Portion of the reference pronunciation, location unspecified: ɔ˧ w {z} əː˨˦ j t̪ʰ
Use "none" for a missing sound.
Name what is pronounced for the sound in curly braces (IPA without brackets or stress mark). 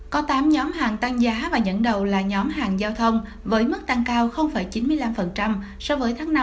v